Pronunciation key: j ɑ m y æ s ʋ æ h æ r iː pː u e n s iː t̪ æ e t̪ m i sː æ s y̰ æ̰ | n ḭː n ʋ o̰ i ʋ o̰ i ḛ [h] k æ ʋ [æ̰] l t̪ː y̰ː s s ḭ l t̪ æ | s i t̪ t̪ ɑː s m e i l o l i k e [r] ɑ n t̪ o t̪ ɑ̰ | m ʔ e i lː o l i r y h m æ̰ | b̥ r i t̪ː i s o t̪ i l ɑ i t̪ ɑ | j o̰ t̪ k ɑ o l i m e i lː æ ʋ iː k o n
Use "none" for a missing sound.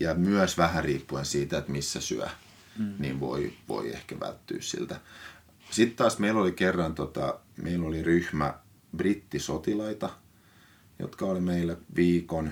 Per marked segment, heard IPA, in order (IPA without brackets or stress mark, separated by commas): h, æ̰, rː